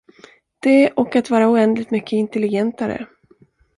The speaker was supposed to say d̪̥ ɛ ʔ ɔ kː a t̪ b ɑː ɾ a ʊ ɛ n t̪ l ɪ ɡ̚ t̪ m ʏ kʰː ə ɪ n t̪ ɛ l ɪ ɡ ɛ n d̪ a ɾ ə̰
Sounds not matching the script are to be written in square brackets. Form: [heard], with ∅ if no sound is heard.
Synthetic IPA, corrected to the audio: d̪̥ ɛ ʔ ɔ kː a t̪ [v] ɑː ɾ a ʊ ɛ n [d̪] l ɪ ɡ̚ t̪ m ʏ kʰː ə ɪ n t̪ ɛ l ɪ ɡ ɛ n [t̪] a ɾ ə̰